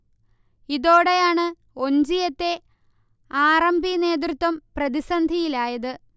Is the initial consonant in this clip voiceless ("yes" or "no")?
no